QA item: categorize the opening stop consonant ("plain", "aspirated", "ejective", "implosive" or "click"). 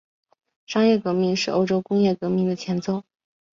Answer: plain